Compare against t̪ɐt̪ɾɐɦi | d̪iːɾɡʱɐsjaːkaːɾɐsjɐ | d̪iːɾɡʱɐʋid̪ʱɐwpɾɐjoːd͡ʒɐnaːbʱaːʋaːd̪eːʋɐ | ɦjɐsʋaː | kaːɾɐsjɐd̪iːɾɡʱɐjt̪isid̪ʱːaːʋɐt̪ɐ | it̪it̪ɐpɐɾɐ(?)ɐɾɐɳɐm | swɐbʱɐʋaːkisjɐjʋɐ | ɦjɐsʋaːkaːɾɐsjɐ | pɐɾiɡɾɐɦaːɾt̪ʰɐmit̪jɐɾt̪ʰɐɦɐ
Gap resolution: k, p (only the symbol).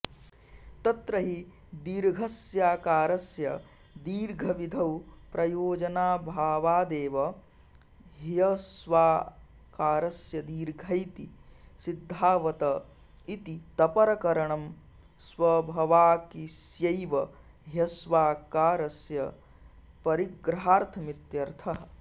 k